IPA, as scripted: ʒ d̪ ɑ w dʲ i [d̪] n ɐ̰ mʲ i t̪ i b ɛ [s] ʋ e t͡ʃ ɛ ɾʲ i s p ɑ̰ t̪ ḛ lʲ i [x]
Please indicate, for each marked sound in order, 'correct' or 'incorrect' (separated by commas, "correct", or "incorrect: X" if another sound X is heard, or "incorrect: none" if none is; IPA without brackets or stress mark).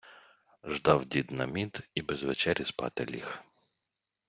correct, incorrect: z, correct